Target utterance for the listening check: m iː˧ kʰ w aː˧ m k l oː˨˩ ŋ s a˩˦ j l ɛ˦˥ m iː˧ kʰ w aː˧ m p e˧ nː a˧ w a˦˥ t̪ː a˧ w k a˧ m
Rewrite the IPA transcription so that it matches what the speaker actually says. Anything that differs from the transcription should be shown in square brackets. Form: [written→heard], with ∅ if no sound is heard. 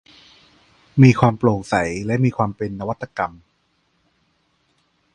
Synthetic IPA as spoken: m iː˧ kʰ w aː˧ m [k→p] l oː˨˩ ŋ s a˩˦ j l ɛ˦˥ m iː˧ kʰ w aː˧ m p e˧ nː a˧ w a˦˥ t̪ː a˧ [w→∅] k a˧ m